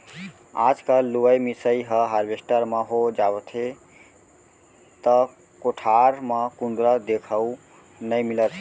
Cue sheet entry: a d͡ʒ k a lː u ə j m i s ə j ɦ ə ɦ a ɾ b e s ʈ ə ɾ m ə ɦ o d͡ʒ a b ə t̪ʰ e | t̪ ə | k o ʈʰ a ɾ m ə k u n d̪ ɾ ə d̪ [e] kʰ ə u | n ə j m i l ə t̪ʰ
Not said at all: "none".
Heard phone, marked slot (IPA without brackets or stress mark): e